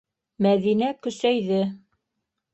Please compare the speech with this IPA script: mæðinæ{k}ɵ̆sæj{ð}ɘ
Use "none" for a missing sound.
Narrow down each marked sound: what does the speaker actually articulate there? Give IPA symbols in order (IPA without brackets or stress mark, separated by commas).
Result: k, ð